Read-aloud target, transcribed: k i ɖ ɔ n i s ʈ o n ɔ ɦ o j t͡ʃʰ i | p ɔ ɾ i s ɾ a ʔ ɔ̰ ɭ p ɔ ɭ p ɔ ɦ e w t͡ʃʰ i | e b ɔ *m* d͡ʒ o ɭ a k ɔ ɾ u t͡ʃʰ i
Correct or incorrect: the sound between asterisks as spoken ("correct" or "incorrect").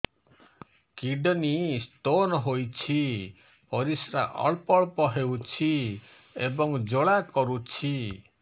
incorrect